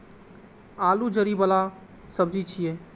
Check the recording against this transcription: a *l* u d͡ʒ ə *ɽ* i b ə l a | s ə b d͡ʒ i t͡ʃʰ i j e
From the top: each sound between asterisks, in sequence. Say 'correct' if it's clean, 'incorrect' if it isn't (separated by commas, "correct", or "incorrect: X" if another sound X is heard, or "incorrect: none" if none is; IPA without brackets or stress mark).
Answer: correct, incorrect: ɾ